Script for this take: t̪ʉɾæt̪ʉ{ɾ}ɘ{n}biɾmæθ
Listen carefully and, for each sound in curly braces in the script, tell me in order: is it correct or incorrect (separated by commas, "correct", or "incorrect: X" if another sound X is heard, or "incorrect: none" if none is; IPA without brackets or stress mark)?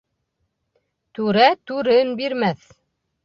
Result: correct, correct